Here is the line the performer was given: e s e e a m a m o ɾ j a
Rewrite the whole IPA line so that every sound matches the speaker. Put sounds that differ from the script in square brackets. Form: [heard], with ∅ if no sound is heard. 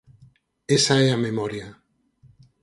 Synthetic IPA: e s [a] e a m [e] m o ɾ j a